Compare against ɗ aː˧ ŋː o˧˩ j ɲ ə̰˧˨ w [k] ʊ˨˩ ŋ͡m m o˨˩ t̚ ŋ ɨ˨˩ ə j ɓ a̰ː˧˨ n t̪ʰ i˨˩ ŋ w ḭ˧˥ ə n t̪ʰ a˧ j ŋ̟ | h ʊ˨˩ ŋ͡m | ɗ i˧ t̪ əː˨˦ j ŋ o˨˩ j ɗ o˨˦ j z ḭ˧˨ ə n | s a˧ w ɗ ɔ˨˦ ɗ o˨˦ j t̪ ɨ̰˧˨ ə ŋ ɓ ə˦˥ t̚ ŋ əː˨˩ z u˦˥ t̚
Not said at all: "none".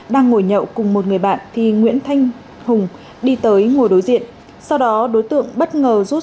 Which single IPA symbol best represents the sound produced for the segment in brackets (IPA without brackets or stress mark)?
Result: k